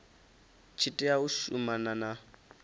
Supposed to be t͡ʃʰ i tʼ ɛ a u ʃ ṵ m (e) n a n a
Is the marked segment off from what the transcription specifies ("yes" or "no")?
yes